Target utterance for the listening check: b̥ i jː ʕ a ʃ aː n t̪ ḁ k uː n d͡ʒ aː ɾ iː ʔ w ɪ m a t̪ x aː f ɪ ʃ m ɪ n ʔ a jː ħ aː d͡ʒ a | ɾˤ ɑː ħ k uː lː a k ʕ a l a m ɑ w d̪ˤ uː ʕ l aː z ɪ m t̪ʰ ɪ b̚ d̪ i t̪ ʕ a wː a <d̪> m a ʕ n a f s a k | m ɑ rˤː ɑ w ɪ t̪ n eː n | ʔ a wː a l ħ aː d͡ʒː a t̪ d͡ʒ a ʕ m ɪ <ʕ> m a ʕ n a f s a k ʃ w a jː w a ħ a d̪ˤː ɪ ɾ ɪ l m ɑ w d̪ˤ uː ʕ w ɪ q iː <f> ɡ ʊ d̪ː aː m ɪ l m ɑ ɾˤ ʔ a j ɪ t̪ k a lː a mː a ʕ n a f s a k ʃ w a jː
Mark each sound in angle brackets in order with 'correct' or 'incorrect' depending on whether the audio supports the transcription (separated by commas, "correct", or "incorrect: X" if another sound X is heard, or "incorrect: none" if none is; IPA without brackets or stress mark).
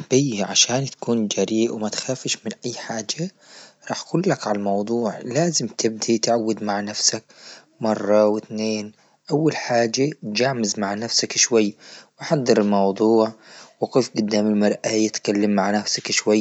correct, incorrect: z, correct